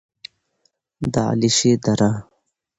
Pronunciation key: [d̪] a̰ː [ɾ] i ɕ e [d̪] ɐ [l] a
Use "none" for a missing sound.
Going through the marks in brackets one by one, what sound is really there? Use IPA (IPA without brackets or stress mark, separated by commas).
d̪, l, d̪, ɾ